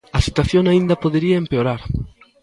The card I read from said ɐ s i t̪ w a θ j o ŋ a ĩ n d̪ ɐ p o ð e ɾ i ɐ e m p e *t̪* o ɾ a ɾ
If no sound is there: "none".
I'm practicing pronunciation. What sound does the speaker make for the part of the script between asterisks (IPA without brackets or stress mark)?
none